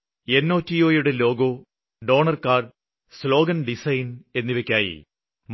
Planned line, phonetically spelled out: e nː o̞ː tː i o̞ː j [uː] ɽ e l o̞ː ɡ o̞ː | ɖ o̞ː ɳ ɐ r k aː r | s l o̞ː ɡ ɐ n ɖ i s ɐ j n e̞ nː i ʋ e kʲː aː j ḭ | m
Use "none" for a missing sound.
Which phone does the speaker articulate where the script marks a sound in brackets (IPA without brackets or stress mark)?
u